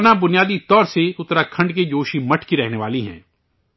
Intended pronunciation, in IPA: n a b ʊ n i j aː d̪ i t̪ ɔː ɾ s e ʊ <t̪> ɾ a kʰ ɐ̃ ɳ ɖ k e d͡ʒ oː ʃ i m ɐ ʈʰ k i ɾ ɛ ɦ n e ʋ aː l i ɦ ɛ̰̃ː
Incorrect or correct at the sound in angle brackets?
correct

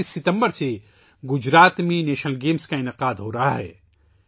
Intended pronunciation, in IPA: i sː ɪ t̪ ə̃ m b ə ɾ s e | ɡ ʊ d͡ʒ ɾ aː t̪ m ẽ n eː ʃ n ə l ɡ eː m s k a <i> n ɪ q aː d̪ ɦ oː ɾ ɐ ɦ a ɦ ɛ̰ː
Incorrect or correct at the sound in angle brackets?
incorrect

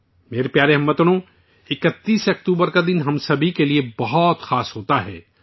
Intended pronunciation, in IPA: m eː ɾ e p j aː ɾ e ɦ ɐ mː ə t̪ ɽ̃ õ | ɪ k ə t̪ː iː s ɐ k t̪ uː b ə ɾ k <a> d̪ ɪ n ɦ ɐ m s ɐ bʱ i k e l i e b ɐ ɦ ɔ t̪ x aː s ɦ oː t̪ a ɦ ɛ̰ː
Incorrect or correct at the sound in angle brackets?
correct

